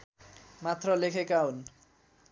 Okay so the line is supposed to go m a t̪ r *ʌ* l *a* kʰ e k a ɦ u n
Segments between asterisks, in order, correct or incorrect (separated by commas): correct, incorrect